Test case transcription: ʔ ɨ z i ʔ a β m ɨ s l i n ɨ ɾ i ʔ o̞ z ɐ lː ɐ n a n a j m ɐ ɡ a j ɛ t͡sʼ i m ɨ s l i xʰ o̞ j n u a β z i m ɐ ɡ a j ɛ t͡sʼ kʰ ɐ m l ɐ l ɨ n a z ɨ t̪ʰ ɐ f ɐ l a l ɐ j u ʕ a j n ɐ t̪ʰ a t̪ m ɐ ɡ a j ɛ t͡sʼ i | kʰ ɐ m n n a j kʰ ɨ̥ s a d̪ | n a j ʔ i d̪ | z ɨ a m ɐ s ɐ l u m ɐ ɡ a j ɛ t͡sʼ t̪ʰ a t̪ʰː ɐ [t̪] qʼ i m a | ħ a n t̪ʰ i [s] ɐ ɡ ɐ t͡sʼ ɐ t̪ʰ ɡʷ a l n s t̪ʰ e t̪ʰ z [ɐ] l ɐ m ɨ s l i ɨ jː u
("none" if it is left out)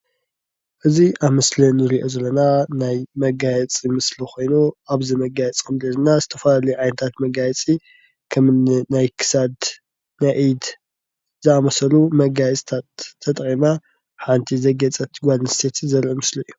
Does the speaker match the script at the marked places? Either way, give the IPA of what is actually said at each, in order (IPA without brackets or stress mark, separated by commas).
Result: t̪ʼ, z, ɐ